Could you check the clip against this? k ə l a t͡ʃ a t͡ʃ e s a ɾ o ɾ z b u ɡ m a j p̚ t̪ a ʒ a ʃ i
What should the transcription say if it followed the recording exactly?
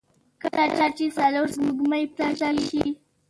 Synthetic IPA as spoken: k ə l a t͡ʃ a t͡ʃ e s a l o ɾ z m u ɡ m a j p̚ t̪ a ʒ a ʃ i